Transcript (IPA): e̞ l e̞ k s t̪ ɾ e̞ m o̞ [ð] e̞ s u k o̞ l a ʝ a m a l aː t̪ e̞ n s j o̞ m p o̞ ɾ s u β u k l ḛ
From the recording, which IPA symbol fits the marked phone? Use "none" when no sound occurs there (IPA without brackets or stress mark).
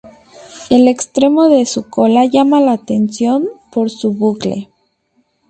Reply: ð